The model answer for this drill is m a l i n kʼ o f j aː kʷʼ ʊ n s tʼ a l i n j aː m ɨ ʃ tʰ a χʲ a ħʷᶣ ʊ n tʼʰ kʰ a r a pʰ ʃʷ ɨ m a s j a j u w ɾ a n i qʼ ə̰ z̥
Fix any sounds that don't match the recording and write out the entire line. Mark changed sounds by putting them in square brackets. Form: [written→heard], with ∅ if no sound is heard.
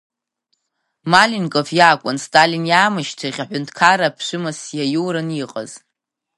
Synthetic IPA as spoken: m a l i n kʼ o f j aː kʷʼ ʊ n s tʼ a l i n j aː m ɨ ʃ tʰ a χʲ a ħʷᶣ ʊ n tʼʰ kʰ a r a pʰ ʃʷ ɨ m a s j a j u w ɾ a n i qʼ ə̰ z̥